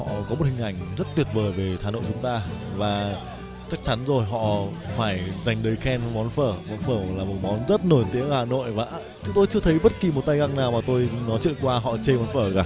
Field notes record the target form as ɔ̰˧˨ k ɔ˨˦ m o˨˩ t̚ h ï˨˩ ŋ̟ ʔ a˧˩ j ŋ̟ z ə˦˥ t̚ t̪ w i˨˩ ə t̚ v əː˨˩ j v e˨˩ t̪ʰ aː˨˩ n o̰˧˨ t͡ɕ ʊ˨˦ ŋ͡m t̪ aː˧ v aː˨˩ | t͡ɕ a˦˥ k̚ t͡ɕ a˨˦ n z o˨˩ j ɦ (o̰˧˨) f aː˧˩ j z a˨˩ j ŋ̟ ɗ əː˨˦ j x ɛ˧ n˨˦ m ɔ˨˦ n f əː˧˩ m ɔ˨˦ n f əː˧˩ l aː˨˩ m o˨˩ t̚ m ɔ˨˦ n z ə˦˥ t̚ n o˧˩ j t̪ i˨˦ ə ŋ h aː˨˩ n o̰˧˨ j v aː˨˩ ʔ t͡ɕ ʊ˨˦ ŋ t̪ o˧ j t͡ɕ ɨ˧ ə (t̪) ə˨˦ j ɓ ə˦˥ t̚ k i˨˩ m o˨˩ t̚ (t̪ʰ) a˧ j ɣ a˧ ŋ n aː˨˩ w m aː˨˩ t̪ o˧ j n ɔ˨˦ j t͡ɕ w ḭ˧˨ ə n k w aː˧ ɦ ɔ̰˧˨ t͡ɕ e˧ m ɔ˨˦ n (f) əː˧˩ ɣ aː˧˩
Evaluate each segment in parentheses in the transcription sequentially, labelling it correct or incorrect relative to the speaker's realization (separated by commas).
incorrect, incorrect, incorrect, correct